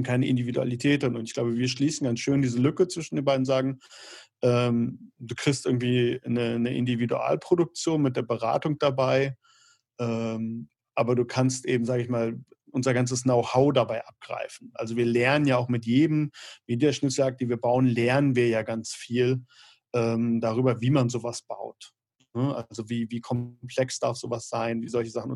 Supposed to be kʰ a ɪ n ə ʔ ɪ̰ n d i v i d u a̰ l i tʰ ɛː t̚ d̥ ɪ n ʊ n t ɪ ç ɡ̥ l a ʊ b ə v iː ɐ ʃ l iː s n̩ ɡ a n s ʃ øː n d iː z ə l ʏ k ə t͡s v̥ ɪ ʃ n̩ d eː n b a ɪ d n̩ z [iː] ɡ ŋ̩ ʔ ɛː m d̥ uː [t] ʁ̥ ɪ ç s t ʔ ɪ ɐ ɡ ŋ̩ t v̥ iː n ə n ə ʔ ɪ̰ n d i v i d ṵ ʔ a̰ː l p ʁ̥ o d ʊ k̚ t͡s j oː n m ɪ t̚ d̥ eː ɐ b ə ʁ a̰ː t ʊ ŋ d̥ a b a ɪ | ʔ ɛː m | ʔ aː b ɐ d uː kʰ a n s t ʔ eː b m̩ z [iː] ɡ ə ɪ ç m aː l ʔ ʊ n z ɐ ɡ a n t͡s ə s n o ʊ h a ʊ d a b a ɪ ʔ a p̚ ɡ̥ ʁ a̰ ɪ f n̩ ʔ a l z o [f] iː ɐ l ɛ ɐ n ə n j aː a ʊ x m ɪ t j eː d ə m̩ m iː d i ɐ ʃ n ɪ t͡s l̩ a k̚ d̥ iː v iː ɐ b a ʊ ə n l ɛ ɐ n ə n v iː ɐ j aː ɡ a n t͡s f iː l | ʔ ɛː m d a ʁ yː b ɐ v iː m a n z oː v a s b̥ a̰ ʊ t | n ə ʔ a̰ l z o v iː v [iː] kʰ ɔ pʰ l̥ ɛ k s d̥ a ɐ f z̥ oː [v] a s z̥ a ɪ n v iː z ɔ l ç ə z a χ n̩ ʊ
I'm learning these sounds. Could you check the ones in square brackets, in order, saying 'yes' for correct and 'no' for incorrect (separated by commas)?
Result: no, no, no, no, yes, yes